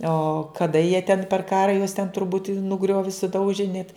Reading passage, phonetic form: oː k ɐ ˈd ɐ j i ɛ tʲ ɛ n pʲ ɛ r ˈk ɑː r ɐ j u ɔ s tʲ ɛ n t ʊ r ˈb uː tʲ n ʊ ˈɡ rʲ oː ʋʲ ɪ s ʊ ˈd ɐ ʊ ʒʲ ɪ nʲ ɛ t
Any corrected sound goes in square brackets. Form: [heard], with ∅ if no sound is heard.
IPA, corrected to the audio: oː k ɐ ˈd ɐ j i ɛ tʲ ɛ n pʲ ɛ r ˈk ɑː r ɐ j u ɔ s tʲ ɛ n t ʊ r ˈb uː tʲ n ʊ ˈɡ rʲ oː ʋʲ ɪ s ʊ ˈd ɐ ʊ ʒʲ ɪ nʲ ɛ t